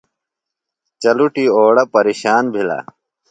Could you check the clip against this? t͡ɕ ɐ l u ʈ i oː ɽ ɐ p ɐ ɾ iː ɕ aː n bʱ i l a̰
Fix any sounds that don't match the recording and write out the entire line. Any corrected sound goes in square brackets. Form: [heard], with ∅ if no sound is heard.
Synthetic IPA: t͡ɕ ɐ l u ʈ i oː ɽ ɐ p ɐ ɾ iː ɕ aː n bʱ i l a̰